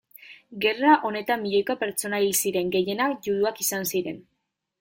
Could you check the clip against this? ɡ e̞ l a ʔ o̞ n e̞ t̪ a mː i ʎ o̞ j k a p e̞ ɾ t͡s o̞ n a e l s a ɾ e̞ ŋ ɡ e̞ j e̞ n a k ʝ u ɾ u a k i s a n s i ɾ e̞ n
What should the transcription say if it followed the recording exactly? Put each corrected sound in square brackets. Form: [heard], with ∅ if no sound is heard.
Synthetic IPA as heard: ɡ e̞ [r] a ʔ o̞ n e̞ t̪ a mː i ʎ o̞ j k a p e̞ ɾ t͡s o̞ n a [i] l s [i] ɾ e̞ ŋ ɡ e̞ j e̞ n a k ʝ u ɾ u a k i s a n s i ɾ e̞ n